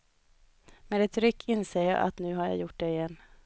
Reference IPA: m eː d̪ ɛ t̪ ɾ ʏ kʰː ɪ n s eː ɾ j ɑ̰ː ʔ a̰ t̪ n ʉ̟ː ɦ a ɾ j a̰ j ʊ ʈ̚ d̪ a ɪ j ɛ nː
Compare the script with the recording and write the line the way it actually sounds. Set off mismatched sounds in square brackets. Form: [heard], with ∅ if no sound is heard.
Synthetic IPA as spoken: m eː d̪ ɛ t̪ ɾ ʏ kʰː ɪ n s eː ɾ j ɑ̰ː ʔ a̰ t̪ n ʉ̟ː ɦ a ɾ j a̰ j ʊ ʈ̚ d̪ [ɛ] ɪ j ɛ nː